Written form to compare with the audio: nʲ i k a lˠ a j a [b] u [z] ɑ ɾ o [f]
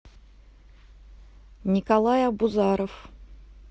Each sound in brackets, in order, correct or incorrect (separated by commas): correct, correct, correct